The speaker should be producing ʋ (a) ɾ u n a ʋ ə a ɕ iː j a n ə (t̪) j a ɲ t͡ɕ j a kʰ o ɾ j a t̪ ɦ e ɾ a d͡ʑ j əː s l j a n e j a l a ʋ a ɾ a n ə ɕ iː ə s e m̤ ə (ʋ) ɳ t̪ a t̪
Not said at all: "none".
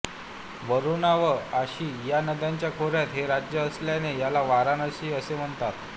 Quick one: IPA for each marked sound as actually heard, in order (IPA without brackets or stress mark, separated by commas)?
ə, d̪, none